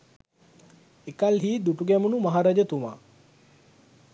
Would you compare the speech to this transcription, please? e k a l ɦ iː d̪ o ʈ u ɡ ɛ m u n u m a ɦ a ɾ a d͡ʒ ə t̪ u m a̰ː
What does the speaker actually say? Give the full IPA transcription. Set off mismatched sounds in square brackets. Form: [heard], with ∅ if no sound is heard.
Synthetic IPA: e k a l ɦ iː d̪ [u] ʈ u ɡ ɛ m u n u m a ɦ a ɾ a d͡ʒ ə t̪ u m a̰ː